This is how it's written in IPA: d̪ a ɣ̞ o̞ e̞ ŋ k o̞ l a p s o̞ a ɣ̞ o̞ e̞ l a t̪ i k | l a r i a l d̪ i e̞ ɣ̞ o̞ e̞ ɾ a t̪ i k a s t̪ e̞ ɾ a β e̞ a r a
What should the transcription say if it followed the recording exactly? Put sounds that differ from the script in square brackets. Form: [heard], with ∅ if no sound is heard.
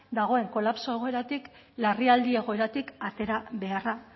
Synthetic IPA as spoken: d̪ a ɣ̞ o̞ e̞ ŋ k o̞ l a p s o̞ [e] ɣ̞ o̞ e̞ [ɾ] a t̪ i k | l a r i a l d̪ i e̞ ɣ̞ o̞ e̞ ɾ a t̪ i k a [∅] t̪ e̞ ɾ a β e̞ a r a